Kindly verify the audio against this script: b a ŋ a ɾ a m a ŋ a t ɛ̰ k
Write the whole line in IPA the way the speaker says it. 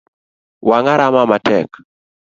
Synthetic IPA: w a ŋ a ɾ a m a m a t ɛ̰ k